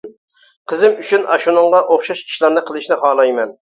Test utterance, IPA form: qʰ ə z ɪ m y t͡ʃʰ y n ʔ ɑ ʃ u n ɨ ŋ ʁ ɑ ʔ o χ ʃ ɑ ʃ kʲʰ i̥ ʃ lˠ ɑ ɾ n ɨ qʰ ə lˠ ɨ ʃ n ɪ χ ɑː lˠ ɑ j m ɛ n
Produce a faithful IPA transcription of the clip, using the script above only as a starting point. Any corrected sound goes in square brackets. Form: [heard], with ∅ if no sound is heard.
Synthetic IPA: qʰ ə z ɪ m y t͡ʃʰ y n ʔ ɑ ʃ u n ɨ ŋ ʁ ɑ ʔ o χ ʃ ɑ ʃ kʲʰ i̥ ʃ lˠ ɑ ɾ n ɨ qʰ ə lˠ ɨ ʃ n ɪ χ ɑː lˠ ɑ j m ɛ n